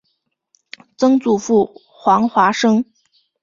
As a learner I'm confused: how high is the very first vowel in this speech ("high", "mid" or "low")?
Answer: mid